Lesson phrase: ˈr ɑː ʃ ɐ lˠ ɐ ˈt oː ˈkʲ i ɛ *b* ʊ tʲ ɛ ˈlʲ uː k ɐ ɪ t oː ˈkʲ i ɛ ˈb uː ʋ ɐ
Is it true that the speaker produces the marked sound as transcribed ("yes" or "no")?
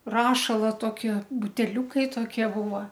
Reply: yes